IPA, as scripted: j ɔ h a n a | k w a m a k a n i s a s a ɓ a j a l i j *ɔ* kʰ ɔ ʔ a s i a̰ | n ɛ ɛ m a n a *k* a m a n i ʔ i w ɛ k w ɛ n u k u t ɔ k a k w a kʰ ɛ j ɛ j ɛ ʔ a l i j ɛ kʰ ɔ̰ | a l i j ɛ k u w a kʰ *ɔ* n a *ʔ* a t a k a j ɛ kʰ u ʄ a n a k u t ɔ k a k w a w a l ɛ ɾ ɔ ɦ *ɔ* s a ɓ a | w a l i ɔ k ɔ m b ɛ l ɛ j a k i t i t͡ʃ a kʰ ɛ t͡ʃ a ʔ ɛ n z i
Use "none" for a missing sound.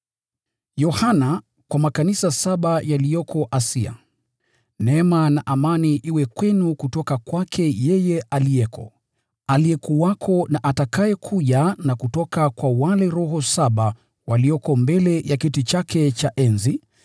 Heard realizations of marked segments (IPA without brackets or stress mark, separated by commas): ɔ, ʔ, ɔ, ʔ, ɔ